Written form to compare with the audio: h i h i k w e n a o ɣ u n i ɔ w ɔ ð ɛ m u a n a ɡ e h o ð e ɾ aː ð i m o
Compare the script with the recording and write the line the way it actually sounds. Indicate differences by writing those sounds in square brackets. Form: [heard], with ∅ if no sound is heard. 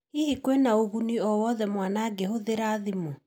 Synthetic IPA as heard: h i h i k w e n a o ɣ u n i ɔ w ɔ ð ɛ m [w] a n a ɡ e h o ð e ɾ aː ð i m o